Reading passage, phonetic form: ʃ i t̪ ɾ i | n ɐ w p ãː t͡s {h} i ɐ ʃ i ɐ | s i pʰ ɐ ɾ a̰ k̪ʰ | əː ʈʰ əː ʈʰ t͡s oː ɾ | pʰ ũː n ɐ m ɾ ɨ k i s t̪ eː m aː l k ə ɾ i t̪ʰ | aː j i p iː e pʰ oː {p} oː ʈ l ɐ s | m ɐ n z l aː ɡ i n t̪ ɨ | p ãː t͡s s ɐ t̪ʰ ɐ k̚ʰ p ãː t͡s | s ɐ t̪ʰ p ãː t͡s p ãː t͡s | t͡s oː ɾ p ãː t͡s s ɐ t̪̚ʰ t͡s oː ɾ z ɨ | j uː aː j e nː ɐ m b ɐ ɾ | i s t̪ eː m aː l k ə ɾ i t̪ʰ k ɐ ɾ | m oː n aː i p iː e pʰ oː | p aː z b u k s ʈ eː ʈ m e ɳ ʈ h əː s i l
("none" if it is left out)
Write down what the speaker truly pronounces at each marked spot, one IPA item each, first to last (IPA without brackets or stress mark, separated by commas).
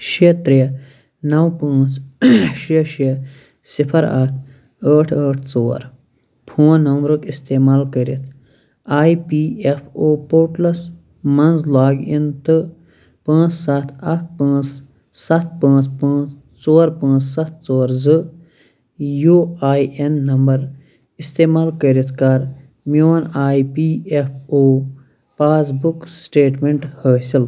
ʃ, p